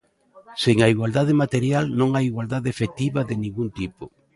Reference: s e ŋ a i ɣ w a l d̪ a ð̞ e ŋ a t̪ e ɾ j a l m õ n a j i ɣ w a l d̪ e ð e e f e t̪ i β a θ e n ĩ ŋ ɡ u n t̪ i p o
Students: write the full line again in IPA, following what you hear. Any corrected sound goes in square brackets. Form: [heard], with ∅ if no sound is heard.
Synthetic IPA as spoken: s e ŋ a i ɣ w a l d̪ a ð̞ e [m] a t̪ e ɾ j a l [n] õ [ŋ] a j i ɣ w a l d̪ [a] ð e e f e t̪ i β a [ð] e n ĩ ŋ ɡ u n t̪ i p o